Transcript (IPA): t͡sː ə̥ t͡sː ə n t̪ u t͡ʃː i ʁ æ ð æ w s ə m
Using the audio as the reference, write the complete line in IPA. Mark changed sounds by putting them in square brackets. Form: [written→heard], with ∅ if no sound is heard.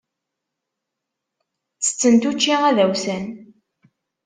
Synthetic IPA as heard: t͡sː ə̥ t͡sː ə n t̪ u t͡ʃː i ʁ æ ð æ w s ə [m→n]

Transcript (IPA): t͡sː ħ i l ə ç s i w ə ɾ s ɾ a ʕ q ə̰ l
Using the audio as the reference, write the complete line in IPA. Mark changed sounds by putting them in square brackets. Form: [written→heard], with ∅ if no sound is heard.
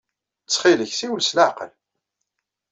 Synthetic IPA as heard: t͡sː [ħ→χ] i l ə ç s i w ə [ɾ→l] s [ɾ→l] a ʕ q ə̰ l

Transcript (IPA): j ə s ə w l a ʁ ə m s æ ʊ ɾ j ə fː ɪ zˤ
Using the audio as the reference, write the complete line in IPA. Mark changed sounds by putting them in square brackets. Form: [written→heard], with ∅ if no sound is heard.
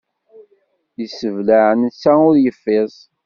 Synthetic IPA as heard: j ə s ə [w→v] l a [ʁ→ʕ] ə [m→n] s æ ʊ ɾ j ə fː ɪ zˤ

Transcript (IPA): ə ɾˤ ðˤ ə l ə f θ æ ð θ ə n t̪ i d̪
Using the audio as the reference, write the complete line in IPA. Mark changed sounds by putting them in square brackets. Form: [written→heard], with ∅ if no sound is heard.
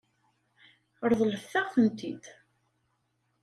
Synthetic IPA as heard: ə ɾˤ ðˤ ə l ə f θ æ [ð→ʁ] θ ə n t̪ i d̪

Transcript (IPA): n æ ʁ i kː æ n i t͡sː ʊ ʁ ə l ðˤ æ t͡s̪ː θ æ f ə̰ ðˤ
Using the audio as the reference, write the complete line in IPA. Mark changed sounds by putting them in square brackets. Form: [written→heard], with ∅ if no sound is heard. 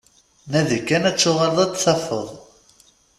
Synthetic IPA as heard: n æ [ʁ→ð] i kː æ n [i→æ] t͡sː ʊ ʁ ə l ðˤ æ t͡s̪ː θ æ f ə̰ ðˤ

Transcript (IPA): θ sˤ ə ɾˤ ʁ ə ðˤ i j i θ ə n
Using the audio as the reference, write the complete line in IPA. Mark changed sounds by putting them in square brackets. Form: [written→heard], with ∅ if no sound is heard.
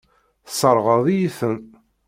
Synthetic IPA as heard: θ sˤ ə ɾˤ ʁ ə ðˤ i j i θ ə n

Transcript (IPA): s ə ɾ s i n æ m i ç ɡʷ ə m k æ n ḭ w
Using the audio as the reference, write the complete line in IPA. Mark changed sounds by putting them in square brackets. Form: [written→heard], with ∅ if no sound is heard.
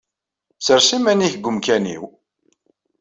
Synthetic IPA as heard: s ə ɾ s i [n→m] æ [m→n] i ç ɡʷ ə m k æ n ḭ w

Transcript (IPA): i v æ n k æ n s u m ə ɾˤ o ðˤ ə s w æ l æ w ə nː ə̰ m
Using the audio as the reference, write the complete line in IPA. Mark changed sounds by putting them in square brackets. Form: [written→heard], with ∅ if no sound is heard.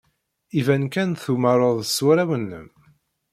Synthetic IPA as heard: i v æ n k æ n [s→θ] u m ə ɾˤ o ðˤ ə s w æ [l→ɾ] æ w ə nː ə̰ m

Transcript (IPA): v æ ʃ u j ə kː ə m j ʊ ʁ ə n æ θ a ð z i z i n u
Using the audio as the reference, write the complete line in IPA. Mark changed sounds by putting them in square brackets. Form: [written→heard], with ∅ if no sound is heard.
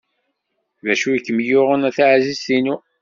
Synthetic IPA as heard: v æ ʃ u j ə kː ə m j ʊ ʁ ə n æ θ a [ð→ʕ] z i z i n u

